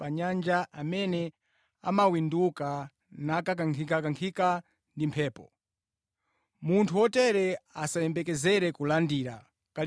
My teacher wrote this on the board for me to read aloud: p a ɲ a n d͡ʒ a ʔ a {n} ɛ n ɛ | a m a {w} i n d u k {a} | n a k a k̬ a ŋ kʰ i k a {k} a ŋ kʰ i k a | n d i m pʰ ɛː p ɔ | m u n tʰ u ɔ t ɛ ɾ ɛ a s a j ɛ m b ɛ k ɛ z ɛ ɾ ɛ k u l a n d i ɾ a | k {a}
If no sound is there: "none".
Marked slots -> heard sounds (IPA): m, w, a, k, a

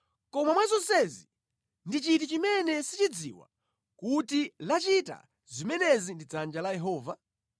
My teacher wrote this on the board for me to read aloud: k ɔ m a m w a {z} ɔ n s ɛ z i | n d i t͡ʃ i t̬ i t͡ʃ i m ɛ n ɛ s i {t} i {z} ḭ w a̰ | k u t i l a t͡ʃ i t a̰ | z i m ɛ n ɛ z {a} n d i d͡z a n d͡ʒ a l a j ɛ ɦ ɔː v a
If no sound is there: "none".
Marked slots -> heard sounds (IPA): z, t͡ʃ, d͡z, i

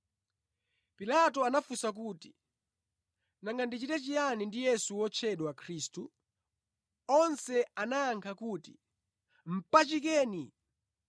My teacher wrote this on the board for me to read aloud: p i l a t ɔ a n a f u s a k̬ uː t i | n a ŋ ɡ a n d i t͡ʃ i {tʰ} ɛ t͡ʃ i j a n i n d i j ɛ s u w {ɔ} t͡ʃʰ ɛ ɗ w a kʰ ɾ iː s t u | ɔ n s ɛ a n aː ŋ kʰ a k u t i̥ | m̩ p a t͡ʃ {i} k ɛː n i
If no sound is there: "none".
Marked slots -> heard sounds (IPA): t, ɔ, i

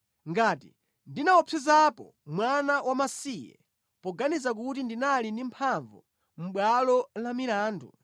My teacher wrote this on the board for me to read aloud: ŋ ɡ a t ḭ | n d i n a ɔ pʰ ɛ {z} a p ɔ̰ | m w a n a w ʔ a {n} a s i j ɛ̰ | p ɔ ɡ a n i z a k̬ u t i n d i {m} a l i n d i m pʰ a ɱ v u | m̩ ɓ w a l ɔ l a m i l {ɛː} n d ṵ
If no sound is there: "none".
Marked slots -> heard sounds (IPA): z, m, n, aː

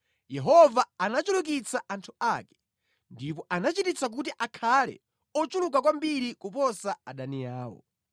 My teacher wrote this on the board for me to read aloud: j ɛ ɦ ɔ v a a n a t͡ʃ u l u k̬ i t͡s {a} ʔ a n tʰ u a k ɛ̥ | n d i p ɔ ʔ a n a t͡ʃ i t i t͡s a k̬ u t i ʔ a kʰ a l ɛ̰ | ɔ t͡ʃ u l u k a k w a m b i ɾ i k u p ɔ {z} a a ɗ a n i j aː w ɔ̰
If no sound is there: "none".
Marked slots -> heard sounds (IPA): a, s

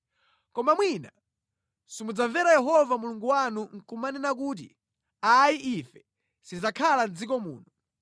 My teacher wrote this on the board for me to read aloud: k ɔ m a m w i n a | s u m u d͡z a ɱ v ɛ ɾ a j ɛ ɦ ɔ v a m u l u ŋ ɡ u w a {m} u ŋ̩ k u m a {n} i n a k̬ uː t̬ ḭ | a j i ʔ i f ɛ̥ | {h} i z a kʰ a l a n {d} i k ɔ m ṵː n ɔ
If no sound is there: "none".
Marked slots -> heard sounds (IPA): n, n, s, d͡z

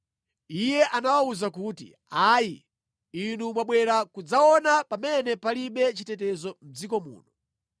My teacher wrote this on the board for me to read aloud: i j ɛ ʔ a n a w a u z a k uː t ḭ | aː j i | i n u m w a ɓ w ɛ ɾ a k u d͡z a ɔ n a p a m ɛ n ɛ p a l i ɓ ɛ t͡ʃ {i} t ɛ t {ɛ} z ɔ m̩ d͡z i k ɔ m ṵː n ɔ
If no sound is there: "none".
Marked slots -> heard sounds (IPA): i, ɛ

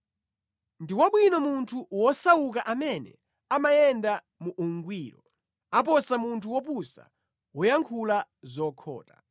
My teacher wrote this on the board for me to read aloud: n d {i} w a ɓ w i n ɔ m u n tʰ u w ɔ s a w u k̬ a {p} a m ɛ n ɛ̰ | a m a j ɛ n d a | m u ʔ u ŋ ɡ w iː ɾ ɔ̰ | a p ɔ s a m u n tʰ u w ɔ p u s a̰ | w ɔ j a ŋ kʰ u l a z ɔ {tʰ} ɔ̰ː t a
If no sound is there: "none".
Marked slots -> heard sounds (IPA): i, ʔ, kʰ

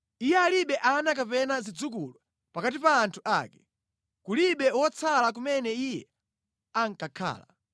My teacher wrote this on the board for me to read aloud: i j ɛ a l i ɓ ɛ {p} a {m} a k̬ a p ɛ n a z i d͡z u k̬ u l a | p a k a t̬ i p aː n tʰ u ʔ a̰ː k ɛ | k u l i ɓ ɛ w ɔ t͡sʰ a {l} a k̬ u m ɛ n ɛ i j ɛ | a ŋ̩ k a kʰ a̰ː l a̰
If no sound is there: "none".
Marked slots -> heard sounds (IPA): ʔ, n, l

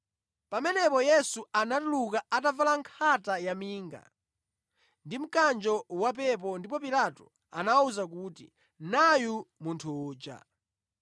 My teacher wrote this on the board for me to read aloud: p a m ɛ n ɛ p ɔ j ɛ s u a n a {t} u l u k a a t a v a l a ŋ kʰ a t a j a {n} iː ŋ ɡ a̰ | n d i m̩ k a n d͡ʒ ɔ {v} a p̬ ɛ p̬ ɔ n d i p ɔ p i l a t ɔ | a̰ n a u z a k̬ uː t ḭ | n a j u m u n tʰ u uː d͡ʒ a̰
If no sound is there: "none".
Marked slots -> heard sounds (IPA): t, m, w

